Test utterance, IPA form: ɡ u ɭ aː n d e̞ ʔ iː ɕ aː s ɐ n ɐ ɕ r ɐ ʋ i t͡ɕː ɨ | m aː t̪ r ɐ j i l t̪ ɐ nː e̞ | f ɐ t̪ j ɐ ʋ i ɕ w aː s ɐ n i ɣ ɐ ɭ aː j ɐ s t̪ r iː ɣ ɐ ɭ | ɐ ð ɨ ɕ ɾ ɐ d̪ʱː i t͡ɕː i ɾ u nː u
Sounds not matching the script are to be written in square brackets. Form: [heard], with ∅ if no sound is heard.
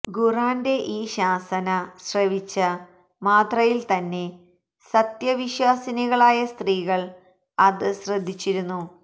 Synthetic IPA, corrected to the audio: ɡ u [r] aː n d e̞ ʔ iː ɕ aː s ɐ n ɐ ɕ r ɐ ʋ i t͡ɕː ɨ | m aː t̪ r ɐ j i l t̪ ɐ nː e̞ | [s] ɐ t̪ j ɐ ʋ i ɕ w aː s ɐ n i ɣ ɐ ɭ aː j ɐ s t̪ r iː ɣ ɐ ɭ | ɐ ð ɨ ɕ [r] ɐ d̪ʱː i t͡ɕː i ɾ u nː u